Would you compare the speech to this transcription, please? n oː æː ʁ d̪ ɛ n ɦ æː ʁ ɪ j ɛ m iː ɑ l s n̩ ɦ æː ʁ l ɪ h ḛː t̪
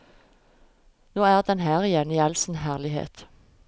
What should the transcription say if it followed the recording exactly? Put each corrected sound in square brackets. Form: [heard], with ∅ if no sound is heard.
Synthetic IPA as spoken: n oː æː ʁ d̪ ɛ n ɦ æː ʁ ɪ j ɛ [n] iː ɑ l s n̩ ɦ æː ʁ l ɪ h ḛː t̪